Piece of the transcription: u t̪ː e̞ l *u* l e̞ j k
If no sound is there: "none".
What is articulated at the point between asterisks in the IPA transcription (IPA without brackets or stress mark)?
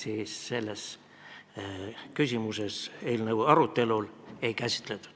u